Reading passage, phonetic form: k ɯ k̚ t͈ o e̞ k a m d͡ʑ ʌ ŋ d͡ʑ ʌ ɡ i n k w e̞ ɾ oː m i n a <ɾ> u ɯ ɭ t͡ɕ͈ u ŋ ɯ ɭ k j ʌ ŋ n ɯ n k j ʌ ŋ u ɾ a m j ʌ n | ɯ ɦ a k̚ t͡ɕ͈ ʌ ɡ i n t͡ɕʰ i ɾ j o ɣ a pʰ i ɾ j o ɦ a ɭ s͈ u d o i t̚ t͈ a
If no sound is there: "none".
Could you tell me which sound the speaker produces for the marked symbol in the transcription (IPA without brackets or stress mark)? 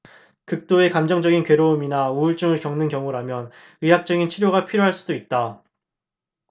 none